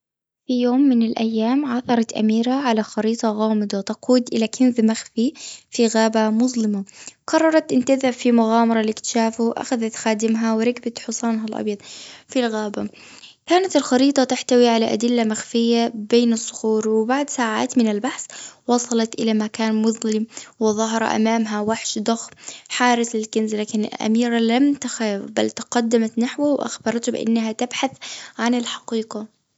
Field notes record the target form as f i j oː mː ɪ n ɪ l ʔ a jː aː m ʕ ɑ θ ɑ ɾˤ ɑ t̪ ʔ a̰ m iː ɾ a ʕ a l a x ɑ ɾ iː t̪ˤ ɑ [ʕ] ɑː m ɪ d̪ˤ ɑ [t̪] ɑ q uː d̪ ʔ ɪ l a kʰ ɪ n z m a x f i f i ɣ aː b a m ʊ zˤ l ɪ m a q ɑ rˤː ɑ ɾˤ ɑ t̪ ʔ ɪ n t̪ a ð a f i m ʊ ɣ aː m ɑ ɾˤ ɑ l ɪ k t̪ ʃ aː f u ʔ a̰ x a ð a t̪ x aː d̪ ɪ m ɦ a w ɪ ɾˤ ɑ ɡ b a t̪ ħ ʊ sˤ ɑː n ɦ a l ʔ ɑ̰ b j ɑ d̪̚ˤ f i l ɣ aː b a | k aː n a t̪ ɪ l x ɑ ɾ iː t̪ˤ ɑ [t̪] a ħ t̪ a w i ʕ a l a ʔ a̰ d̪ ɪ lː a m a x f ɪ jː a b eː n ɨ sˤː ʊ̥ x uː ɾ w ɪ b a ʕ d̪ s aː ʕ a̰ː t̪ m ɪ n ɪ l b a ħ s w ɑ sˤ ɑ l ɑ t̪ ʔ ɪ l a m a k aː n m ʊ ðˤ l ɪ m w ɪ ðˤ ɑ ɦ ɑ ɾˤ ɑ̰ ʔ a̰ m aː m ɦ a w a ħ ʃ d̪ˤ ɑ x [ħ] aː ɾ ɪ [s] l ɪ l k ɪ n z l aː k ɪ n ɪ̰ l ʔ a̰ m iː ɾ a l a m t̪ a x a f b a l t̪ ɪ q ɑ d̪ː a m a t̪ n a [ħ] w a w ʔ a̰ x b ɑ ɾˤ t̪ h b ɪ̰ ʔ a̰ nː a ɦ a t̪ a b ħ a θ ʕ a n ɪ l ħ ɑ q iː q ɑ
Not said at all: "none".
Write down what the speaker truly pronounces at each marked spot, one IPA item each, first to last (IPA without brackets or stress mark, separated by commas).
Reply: ɣ, t̪, t̪, ħ, s, ħ